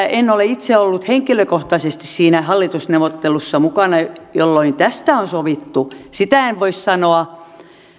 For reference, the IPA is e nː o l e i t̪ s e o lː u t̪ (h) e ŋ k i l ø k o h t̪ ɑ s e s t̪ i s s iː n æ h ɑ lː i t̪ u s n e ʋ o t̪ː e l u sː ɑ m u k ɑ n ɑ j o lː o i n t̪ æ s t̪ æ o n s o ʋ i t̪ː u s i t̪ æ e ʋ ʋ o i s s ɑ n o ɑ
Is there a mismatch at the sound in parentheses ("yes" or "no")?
no